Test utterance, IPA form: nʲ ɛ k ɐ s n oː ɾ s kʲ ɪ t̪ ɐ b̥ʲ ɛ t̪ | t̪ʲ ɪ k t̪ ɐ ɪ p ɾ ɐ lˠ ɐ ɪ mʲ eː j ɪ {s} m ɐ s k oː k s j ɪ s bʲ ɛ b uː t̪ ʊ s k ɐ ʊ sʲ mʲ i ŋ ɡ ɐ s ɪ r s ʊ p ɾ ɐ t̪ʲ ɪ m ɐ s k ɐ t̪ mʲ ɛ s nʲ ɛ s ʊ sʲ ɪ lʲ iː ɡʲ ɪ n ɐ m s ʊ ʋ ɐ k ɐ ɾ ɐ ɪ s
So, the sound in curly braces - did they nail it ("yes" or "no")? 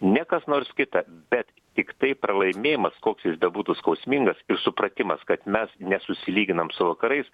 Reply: no